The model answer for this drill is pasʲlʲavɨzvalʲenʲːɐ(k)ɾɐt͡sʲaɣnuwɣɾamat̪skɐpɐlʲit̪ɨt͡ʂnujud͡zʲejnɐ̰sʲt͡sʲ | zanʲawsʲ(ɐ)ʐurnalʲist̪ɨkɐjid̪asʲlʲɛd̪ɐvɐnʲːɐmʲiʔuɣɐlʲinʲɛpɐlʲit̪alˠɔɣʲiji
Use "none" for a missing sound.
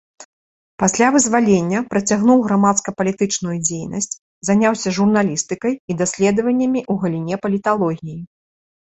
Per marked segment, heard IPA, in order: p, ɐ

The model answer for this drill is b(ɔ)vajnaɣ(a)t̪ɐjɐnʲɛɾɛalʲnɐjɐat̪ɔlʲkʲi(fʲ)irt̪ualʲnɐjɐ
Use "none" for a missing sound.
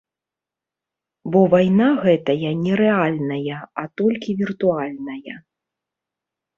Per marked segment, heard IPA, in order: ɔ, ɛ, vʲ

